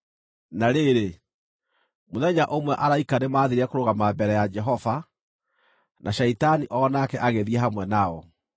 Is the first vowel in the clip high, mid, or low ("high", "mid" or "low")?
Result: low